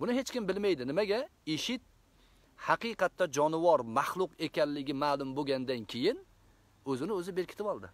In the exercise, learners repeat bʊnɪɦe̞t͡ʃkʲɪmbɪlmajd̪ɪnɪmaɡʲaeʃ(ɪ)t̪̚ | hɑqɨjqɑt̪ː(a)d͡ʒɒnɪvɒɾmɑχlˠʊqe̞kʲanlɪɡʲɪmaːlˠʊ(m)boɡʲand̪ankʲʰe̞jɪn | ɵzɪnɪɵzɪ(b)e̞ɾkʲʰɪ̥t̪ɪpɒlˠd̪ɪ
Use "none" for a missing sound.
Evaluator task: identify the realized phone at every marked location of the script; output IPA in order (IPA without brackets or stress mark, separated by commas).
ɪ, a, m, b